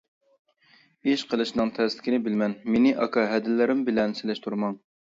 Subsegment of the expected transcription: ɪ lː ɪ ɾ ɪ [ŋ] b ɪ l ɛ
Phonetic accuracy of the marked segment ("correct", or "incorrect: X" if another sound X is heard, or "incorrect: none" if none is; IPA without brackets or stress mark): incorrect: m